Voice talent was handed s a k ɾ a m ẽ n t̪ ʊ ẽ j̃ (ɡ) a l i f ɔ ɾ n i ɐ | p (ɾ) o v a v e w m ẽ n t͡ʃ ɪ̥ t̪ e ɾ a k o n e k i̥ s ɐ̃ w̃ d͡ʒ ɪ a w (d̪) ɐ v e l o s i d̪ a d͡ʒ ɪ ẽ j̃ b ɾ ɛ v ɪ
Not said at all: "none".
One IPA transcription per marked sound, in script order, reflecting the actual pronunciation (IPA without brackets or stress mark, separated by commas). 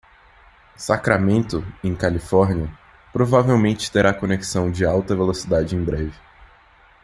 k, ɾ, t̪